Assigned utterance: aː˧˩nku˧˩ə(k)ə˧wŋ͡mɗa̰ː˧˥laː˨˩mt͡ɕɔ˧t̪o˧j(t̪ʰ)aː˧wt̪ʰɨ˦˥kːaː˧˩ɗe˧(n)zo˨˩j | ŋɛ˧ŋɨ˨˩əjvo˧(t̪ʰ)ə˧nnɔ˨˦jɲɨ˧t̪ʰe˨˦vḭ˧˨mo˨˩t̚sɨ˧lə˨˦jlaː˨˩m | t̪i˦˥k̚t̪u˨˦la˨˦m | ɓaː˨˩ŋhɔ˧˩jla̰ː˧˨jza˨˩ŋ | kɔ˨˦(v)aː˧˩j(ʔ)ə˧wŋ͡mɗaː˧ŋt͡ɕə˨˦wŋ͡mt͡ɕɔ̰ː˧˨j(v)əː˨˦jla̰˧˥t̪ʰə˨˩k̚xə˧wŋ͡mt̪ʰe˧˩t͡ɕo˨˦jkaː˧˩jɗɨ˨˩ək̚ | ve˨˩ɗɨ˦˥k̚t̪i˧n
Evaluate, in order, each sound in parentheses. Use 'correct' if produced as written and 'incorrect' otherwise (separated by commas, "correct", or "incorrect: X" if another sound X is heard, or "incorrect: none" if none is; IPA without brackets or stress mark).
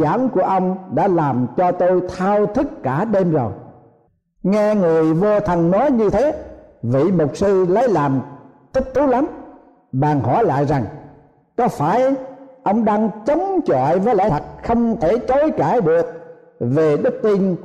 incorrect: ʔ, correct, incorrect: m, correct, incorrect: f, correct, correct